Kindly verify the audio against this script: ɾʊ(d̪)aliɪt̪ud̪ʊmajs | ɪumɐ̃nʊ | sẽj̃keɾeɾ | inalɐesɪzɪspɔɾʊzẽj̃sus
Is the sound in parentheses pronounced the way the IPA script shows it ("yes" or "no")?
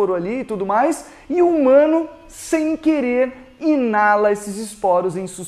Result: no